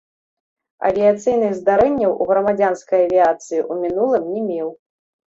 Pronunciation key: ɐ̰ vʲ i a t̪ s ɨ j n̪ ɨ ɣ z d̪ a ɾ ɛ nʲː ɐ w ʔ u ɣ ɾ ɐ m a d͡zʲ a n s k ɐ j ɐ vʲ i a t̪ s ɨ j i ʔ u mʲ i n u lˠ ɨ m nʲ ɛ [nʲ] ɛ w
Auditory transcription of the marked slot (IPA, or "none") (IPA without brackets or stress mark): mʲ